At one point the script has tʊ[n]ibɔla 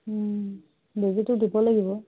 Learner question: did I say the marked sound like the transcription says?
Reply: no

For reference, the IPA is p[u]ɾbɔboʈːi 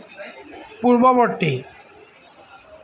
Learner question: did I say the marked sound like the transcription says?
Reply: yes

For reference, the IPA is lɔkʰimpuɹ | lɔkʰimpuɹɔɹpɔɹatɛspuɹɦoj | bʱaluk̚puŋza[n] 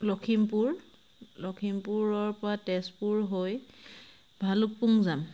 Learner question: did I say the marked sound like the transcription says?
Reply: no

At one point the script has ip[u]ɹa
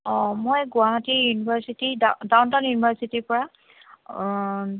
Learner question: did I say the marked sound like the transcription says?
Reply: no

